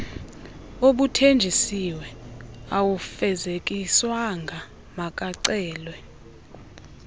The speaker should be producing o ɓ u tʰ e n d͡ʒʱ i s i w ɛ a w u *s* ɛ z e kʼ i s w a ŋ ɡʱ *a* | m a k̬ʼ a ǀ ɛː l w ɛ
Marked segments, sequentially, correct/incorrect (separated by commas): incorrect, correct